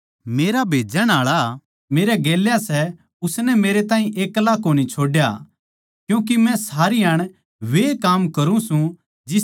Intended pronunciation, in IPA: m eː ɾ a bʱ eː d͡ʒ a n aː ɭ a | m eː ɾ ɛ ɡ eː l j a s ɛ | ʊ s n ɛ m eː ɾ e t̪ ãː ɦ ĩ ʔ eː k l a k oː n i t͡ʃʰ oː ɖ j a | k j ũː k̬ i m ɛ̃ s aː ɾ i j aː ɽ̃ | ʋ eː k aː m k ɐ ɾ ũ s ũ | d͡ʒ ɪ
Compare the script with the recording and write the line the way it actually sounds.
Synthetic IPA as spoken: m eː ɾ a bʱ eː d͡ʒ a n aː ɭ a | m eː ɾ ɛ ɡ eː l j a s ɛ | ʊ s n ɛ m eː ɾ e t̪ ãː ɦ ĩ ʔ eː k l a k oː n i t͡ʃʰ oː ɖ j a | k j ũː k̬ i m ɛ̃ s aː ɾ i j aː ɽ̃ | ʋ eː k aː m k ɐ ɾ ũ s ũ | d͡ʒ ɪ